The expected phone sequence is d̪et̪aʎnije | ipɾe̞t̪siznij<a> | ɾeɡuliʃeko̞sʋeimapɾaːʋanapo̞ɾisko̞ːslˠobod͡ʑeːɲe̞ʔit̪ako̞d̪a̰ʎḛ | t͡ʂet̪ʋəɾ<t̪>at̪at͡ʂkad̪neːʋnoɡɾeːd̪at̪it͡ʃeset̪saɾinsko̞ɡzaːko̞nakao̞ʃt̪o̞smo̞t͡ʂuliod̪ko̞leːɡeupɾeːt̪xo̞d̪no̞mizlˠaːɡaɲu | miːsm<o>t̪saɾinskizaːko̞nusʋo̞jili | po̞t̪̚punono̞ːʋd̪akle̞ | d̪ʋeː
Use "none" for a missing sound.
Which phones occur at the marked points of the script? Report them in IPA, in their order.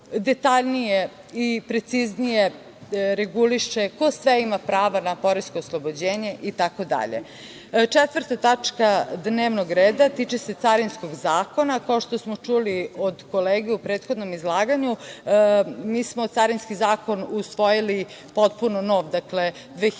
e, t̪, o

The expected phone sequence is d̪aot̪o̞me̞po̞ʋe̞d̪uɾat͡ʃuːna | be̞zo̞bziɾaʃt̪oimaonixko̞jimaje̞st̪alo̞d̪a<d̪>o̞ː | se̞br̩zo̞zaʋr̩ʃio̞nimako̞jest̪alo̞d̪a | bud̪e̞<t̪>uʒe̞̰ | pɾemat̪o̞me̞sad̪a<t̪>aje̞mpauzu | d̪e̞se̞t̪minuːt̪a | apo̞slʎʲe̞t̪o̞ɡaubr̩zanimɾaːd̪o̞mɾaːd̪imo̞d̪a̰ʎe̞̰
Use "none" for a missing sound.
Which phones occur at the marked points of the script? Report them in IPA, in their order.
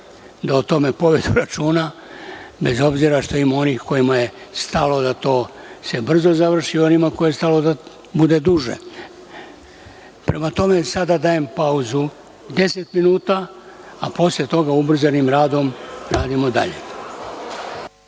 t̪, d̪, d̪

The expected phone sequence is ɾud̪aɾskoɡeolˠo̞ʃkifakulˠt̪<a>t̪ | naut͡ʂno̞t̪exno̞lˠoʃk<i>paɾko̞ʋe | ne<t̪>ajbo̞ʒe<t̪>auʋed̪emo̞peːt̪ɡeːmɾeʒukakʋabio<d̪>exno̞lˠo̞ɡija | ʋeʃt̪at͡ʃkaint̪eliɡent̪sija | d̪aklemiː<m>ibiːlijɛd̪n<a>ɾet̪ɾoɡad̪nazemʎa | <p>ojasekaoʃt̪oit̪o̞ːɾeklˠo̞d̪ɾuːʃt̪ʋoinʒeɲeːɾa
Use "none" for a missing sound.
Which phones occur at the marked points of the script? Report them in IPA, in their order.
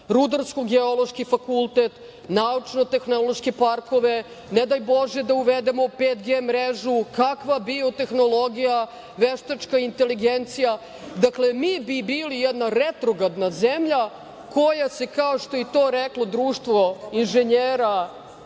e, e, d̪, d̪, t̪, b, a, k

